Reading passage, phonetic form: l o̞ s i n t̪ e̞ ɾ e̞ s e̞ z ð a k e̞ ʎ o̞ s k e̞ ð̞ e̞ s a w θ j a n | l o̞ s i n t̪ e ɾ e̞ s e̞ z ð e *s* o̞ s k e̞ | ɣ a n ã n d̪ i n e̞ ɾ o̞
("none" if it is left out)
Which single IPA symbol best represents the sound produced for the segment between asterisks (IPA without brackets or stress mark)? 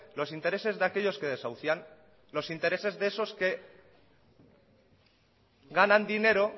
s